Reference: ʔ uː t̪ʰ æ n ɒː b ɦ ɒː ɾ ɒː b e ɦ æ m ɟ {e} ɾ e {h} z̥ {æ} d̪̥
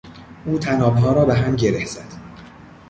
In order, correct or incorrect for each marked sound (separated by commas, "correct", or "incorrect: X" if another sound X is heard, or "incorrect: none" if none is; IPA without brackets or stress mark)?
correct, correct, correct